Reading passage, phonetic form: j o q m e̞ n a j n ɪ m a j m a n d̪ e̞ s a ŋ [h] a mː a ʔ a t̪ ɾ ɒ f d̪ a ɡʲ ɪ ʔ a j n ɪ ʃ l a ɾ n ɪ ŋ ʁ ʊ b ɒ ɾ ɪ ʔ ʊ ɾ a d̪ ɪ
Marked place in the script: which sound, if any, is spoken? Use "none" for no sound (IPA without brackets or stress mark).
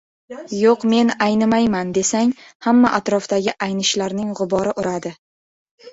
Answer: h